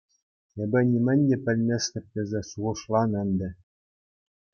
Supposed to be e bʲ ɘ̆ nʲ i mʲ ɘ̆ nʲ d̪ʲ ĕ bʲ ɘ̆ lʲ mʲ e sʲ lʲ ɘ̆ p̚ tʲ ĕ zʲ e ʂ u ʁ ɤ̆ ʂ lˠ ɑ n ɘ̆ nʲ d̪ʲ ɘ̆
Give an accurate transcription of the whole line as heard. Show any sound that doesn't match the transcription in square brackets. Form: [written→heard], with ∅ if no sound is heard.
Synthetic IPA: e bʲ ɘ̆ nʲ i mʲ ɘ̆ nʲ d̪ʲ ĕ [bʲ→pʲ] ɘ̆ lʲ mʲ e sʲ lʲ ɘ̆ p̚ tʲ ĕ zʲ e [ʂ→s] u ʁ ɤ̆ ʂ lˠ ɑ n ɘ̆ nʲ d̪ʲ ɘ̆